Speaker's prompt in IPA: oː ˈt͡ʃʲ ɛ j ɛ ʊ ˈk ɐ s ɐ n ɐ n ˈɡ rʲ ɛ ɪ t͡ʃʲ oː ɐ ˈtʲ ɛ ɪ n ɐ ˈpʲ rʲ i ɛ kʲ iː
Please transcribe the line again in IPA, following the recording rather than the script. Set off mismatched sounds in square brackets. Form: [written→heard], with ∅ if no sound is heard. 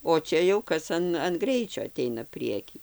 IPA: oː ˈt͡ʃʲ ɛ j ɛ ʊ ˈk ɐ s ɐ n ɐ n ˈɡ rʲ ɛ ɪ t͡ʃʲ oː ɐ ˈtʲ ɛ ɪ n ɐ ˈpʲ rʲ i ɛ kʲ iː